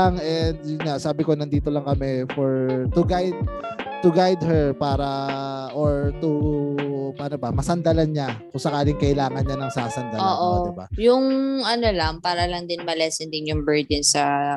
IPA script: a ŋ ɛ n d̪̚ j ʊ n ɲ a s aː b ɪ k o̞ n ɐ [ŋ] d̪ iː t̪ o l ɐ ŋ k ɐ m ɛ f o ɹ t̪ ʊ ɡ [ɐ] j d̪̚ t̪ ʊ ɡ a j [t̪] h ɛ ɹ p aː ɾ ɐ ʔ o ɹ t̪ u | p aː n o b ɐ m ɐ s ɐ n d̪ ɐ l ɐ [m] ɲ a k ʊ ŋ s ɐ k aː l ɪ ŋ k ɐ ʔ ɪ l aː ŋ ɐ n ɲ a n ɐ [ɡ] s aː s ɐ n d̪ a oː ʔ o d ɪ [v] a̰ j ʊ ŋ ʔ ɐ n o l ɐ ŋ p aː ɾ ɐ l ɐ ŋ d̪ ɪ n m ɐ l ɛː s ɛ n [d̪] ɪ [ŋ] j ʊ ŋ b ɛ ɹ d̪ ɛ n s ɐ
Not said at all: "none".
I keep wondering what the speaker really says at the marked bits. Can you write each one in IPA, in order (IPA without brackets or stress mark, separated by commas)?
n, a, d̪, n, ŋ, b, d̪, n